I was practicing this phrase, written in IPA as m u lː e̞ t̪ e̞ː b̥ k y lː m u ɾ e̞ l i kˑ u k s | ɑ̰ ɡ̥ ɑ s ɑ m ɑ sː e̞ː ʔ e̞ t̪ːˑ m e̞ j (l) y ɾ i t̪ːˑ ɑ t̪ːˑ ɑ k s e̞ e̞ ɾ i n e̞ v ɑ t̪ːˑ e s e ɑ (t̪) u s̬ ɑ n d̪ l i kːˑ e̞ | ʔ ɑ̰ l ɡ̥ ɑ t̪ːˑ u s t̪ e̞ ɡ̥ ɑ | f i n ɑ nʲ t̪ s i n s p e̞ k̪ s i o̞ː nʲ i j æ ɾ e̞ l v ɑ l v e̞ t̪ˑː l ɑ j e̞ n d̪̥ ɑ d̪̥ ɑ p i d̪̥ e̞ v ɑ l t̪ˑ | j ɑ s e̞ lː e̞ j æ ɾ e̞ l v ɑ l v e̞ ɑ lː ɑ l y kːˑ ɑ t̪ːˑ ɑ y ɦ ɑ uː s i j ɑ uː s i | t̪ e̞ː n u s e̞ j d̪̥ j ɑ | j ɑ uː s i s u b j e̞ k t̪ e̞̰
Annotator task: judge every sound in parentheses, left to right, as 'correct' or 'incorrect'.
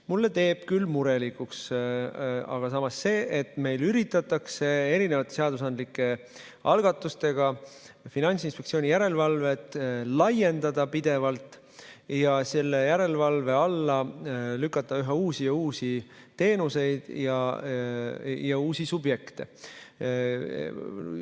correct, incorrect: d̪

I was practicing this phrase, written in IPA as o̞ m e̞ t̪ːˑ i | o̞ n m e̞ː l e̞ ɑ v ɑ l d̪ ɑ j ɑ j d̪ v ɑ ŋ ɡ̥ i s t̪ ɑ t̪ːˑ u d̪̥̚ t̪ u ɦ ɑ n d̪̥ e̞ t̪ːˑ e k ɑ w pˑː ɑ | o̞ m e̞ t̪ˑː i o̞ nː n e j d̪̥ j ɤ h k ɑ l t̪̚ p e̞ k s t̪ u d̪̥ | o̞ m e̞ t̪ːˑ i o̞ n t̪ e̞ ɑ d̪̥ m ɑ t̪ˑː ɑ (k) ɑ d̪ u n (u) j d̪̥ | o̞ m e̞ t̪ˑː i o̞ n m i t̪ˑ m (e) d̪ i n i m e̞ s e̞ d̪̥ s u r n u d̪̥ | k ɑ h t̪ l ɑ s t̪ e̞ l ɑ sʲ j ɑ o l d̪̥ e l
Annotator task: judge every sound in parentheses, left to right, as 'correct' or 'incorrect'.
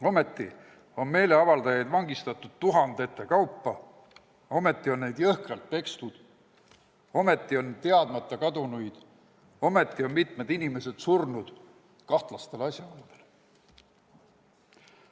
correct, correct, correct

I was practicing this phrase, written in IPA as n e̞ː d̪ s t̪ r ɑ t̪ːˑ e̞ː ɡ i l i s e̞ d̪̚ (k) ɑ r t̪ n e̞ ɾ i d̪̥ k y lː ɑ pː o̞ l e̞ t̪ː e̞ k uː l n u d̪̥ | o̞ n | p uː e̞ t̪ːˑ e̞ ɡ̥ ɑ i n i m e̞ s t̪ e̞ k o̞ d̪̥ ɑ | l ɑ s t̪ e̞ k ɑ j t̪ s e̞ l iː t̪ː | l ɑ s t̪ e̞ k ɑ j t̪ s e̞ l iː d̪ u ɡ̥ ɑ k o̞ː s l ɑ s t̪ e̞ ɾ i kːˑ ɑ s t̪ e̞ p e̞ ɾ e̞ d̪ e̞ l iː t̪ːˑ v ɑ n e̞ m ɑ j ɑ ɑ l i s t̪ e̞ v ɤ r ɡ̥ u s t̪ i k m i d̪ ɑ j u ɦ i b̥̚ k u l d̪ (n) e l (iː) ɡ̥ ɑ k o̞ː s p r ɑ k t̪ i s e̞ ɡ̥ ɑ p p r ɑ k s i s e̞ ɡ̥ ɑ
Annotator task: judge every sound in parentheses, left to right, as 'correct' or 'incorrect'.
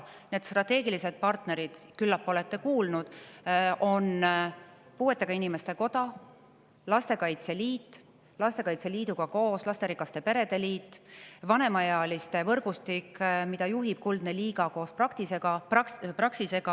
incorrect: p, correct, correct

